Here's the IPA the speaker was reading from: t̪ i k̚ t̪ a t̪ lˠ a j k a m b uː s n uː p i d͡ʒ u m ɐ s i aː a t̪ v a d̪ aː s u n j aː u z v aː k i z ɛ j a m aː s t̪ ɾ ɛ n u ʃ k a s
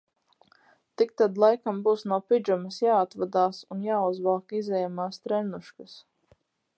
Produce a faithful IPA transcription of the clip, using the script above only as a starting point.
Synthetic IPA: t̪ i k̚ t̪ a d̪ lˠ a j k a m b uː s n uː p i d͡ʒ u m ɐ s j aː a t̪ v a d̪ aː s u n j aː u z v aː k i z ɛ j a m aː s t̪ ɾ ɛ n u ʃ k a s